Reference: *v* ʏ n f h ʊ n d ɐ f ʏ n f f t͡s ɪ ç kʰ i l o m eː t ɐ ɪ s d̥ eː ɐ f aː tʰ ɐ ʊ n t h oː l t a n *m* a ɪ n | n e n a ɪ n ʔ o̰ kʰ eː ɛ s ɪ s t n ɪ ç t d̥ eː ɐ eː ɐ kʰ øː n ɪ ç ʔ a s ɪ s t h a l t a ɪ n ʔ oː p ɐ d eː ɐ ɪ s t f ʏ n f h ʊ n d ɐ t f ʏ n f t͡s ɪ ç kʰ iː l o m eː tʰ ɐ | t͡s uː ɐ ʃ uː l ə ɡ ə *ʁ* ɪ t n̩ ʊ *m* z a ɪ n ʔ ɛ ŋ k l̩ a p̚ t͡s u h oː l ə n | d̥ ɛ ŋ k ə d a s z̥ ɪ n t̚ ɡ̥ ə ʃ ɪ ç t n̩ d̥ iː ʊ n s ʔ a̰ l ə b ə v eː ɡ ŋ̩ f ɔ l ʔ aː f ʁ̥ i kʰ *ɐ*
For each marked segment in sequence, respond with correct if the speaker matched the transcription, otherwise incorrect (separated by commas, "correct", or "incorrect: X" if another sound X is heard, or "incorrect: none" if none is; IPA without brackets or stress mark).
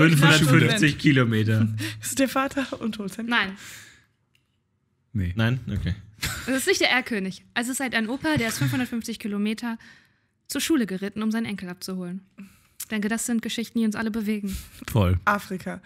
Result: incorrect: f, incorrect: n, correct, correct, incorrect: a